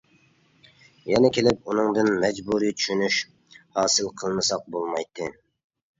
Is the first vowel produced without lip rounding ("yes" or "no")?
yes